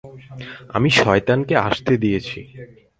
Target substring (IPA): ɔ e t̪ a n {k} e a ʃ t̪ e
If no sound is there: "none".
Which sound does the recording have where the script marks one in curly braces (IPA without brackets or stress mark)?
k